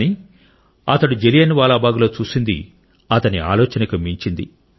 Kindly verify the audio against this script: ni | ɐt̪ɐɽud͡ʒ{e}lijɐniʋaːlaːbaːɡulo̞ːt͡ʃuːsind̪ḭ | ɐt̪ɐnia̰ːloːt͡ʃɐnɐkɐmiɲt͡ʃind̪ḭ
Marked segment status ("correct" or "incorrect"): correct